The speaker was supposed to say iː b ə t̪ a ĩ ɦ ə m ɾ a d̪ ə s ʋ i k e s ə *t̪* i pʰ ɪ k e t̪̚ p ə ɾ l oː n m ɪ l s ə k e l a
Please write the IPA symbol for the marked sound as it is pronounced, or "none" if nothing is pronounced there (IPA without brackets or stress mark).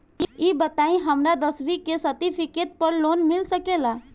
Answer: t̪